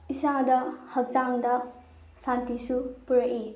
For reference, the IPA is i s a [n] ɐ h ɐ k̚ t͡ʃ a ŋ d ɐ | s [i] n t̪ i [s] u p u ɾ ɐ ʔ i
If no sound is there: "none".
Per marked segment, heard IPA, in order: d, a, s

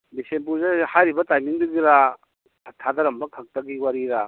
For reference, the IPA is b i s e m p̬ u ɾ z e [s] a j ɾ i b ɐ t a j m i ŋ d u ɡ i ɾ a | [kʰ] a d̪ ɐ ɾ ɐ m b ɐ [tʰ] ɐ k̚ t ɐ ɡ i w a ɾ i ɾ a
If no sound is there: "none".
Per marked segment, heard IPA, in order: h, tʰ, kʰ

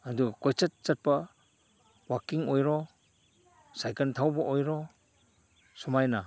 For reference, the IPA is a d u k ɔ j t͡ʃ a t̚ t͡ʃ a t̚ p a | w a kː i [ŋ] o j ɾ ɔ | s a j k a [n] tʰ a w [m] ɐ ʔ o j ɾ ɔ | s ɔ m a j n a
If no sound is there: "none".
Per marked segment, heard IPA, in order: ŋ, n, b

